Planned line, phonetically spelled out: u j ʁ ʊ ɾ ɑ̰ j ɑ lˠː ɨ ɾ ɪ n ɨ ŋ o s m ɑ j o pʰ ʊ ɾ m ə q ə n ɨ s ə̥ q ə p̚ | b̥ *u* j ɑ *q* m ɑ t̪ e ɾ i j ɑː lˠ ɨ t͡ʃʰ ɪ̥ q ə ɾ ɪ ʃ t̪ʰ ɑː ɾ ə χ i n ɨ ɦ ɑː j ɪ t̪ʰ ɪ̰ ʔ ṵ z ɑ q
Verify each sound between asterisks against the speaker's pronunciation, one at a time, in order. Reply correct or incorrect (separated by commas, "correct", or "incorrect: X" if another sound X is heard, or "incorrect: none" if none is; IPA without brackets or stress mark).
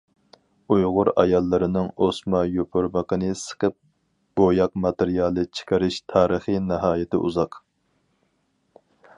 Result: incorrect: o, correct